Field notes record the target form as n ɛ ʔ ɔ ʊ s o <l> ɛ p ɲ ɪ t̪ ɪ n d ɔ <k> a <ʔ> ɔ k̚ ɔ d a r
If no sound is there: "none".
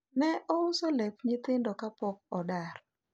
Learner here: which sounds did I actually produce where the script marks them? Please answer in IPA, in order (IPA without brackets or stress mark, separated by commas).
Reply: l, k, p